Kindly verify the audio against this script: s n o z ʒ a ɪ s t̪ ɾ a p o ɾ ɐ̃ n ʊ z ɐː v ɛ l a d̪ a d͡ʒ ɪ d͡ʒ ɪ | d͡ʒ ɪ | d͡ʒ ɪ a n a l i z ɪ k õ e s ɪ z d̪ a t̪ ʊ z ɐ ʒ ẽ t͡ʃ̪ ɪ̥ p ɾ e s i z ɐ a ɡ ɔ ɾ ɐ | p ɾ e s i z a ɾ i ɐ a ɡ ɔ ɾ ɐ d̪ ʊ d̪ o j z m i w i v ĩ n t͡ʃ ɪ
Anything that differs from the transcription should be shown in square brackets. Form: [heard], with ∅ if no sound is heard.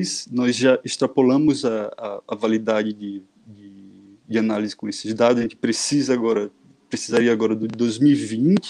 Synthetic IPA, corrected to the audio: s n [ɔ] z ʒ a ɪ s t̪ ɾ a p o [l] ɐ̃ [m] ʊ z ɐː v [a] l [i] d̪ a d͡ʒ ɪ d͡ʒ ɪ | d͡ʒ ɪ | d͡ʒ ɪ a n a l i z ɪ k õ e s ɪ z d̪ a [d̪] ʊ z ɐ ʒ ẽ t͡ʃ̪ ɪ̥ p ɾ e s i z ɐ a ɡ ɔ ɾ ɐ | p ɾ e s i z a ɾ i ɐ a ɡ ɔ ɾ ɐ d̪ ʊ d̪ o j z m i w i v ĩ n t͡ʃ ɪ